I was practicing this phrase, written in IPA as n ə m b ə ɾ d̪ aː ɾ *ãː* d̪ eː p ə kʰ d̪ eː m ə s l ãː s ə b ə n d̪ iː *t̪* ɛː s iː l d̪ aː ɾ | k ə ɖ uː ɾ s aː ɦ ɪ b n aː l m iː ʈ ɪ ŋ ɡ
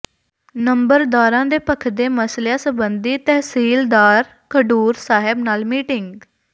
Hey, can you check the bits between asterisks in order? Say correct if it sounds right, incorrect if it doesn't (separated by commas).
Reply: correct, correct